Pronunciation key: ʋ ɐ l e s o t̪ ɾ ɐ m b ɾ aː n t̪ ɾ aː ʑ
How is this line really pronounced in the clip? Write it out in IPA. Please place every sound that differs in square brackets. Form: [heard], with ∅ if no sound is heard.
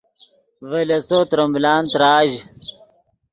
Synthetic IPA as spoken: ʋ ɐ l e s o t̪ ɾ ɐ m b [l] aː n t̪ ɾ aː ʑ